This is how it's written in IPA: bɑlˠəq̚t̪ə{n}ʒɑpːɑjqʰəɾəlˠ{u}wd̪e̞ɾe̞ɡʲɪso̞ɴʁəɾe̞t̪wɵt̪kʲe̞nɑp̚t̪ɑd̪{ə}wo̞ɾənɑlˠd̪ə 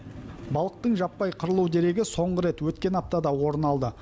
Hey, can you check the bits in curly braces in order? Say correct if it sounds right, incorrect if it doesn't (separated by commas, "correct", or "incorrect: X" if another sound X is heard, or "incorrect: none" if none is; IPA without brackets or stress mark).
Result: incorrect: ɴ, correct, incorrect: ɑ